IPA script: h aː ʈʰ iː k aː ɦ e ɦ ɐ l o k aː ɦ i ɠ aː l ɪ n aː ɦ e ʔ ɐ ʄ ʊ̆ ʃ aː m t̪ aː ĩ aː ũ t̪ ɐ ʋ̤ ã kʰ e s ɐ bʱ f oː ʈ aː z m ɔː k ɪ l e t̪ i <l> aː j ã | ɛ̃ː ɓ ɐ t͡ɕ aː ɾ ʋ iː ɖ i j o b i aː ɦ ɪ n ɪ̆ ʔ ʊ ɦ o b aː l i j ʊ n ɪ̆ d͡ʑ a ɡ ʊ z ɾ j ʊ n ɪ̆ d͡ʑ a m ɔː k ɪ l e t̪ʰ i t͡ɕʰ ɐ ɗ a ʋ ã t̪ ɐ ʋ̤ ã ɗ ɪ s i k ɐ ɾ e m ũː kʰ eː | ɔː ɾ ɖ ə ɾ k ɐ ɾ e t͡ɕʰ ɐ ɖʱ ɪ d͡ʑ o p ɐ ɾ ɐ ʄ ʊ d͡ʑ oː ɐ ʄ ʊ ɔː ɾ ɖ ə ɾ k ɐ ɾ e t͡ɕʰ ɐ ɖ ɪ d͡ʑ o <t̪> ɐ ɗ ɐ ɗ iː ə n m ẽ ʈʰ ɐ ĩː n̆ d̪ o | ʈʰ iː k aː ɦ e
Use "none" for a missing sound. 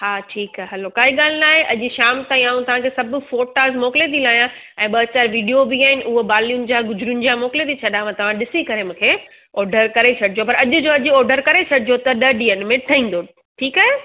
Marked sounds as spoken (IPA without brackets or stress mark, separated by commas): l, t̪